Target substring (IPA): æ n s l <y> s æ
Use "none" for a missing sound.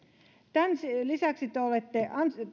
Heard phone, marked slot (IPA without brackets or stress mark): i